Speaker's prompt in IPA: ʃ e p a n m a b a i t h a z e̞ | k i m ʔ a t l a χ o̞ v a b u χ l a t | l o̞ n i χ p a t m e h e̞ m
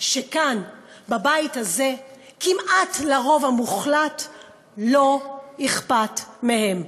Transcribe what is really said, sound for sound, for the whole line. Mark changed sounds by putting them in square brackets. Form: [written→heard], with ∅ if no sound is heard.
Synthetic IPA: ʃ e [p→k] a n [m→b] a b a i t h a z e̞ | k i m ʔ a t l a [χ→ʁ] o̞ v a [b→m] u χ l a t | l o̞ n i χ p a t m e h e̞ m